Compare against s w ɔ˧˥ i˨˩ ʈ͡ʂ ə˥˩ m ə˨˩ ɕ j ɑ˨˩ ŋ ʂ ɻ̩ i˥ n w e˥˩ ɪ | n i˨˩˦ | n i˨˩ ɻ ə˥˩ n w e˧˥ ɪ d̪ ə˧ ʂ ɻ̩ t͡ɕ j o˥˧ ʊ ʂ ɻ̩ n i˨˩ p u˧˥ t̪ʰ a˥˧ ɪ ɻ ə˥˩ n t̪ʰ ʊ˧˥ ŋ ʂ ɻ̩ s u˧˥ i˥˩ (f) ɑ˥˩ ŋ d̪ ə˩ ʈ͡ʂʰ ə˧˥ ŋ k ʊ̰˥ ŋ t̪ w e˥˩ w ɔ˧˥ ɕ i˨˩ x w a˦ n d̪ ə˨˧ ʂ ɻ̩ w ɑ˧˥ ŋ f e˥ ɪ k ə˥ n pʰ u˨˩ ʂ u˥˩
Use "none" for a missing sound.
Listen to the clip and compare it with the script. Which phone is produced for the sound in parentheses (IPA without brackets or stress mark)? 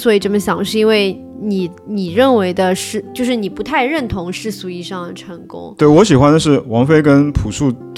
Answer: ʂ